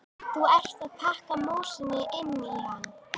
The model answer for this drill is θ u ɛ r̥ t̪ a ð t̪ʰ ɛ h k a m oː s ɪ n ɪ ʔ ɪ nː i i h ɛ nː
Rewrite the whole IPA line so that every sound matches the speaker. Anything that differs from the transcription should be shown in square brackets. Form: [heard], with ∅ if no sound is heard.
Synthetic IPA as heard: θ u ɛ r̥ t̪ a ð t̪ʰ [a] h k a m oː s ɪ n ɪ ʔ ɪ nː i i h [a] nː